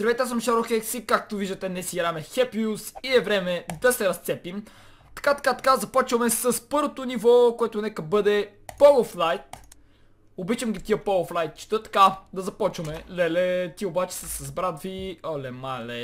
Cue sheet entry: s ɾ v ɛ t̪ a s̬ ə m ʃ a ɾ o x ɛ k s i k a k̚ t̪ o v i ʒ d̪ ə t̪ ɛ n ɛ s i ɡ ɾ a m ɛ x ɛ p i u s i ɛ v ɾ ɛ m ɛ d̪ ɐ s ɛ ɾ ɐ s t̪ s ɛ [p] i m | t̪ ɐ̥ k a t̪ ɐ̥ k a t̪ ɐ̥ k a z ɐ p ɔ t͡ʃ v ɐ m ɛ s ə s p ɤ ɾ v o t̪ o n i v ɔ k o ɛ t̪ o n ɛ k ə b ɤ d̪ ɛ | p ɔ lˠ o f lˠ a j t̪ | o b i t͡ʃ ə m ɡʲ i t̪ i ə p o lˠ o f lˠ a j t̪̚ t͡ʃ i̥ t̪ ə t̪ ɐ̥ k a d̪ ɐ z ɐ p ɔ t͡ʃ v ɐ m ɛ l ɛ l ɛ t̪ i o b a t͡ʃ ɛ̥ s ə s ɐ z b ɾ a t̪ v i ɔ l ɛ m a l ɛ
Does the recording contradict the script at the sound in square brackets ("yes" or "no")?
no